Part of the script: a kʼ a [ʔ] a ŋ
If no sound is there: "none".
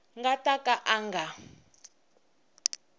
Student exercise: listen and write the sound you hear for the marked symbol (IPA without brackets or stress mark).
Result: ʔ